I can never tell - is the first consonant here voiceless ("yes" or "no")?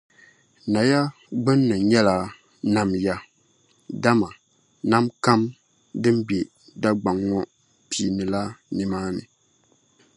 no